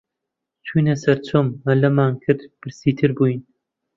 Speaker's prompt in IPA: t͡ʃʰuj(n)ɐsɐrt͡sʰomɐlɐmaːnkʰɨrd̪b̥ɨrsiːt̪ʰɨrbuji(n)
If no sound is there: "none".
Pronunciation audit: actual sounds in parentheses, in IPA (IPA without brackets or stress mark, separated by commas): n, n